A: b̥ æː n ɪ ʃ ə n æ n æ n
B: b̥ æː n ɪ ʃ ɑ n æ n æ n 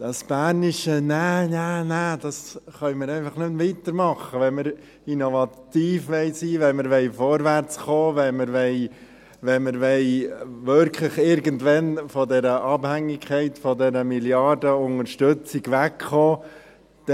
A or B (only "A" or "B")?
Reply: A